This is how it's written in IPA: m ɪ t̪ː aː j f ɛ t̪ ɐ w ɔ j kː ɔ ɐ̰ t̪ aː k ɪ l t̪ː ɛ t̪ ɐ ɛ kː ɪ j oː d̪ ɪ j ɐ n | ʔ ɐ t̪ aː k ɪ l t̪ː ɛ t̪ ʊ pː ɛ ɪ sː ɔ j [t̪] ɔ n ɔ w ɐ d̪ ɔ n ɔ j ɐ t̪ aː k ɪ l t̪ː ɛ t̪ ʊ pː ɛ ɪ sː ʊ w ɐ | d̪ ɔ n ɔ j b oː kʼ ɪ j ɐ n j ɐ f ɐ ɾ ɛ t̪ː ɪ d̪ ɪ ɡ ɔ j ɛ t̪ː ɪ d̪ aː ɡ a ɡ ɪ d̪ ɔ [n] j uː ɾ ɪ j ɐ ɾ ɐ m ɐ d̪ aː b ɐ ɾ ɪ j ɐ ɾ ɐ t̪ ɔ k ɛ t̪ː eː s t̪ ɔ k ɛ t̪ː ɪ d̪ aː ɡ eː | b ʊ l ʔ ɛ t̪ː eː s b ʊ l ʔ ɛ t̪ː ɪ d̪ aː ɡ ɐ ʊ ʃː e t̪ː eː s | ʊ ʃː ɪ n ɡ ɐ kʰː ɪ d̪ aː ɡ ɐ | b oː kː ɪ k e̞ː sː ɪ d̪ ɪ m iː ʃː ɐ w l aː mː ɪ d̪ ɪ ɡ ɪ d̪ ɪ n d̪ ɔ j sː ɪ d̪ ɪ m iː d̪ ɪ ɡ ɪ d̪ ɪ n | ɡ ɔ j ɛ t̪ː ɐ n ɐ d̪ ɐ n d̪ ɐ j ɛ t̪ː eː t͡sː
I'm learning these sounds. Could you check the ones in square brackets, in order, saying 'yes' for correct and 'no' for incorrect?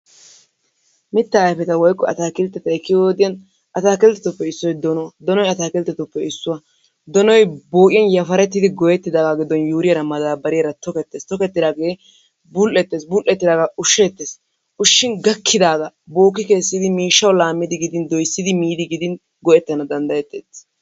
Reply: no, yes

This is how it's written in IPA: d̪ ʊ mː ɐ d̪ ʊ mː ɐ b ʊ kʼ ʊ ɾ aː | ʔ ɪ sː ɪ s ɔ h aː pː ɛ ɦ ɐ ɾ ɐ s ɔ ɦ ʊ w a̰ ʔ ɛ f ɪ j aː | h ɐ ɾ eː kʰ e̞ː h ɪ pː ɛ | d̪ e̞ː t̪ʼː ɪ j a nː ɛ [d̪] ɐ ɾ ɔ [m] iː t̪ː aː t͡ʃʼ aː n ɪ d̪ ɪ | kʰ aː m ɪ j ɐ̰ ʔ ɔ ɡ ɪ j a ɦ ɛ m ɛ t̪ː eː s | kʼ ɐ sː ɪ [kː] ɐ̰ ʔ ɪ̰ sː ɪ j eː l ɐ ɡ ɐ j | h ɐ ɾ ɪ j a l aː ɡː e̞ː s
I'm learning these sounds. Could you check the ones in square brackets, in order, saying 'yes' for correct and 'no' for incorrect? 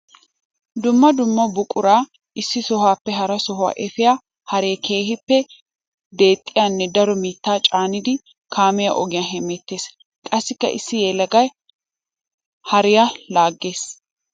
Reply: yes, yes, yes

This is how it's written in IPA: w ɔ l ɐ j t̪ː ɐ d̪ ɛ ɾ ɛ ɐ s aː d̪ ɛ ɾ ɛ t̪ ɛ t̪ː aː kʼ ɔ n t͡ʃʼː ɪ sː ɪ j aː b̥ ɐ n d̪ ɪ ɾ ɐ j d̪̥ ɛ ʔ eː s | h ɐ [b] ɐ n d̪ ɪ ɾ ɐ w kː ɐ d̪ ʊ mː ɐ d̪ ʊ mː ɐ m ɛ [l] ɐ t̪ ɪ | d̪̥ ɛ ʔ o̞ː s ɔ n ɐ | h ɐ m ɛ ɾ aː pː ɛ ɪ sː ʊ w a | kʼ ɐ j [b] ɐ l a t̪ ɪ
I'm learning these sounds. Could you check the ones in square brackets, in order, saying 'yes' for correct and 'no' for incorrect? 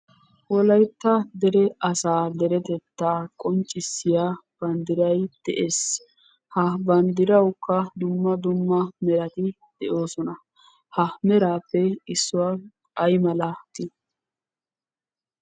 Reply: yes, no, no

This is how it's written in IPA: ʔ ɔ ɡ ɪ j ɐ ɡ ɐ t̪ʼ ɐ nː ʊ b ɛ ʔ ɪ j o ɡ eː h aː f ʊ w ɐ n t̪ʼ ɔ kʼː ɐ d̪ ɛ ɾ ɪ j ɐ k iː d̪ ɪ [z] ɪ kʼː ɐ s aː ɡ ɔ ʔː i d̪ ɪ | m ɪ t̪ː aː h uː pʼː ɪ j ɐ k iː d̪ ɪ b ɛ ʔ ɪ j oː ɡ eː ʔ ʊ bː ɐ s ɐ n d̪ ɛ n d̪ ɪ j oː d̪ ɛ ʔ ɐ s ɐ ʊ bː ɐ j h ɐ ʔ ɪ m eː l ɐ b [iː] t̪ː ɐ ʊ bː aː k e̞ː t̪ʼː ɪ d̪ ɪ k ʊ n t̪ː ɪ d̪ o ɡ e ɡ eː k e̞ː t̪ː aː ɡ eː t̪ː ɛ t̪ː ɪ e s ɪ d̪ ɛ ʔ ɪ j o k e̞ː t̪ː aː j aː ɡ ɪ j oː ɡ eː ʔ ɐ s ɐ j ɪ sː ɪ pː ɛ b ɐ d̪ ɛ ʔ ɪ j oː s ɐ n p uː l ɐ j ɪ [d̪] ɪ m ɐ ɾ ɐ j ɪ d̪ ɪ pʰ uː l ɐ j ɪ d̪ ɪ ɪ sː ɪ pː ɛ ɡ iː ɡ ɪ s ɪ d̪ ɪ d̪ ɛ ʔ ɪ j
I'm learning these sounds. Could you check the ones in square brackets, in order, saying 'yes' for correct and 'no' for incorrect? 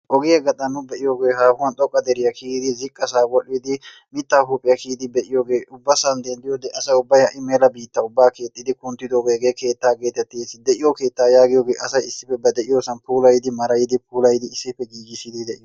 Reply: yes, yes, yes

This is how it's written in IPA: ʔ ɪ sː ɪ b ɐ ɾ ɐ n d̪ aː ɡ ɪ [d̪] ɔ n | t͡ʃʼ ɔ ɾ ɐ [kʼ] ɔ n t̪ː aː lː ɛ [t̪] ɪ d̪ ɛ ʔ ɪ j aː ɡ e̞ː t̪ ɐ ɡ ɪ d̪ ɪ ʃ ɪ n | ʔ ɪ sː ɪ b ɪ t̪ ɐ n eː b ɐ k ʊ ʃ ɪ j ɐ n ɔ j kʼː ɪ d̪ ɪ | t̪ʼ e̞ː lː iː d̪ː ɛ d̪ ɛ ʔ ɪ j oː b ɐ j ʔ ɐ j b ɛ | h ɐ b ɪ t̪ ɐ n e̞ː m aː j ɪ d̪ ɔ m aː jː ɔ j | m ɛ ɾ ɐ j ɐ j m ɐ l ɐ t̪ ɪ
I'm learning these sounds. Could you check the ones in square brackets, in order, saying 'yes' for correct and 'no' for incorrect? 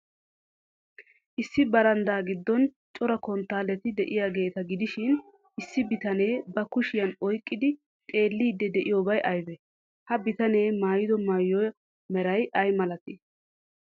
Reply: no, no, yes

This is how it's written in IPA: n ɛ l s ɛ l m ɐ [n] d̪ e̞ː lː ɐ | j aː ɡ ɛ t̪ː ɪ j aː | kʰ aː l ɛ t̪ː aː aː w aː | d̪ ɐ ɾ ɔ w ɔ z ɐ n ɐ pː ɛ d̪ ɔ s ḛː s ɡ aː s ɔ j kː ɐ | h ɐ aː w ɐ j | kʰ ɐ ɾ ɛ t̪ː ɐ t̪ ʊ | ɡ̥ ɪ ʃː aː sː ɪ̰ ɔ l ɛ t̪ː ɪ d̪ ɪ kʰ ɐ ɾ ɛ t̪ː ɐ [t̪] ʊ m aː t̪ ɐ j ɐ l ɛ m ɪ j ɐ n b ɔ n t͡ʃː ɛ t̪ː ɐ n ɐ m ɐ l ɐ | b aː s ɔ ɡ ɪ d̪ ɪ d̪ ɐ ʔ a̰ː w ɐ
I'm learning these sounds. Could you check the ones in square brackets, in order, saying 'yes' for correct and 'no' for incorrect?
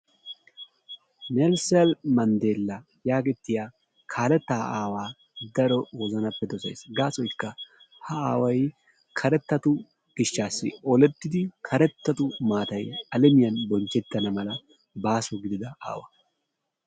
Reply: yes, yes

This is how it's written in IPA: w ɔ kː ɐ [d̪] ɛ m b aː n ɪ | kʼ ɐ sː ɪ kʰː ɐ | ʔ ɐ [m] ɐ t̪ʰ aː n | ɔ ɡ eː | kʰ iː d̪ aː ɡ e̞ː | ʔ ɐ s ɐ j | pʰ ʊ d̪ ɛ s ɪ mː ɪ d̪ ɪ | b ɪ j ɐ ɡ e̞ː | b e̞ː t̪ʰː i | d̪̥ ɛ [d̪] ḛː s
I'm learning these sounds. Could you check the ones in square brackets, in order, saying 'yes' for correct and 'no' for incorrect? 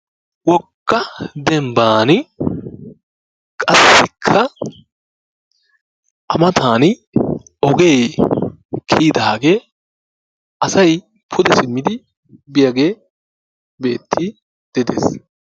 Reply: yes, yes, yes

